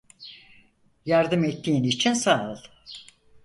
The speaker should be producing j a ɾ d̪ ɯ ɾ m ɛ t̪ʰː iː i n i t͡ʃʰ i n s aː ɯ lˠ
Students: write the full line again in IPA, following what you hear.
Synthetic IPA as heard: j a ɾ d̪ ɯ m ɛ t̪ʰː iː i n i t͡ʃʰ i n s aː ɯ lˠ